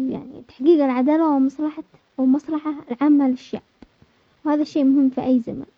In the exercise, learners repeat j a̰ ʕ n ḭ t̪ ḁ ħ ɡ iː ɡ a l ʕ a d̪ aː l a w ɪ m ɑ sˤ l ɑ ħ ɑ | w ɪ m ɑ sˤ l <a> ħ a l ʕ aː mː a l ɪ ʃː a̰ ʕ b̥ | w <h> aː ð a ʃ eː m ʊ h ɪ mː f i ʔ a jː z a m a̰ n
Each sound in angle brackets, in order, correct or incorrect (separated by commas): incorrect, correct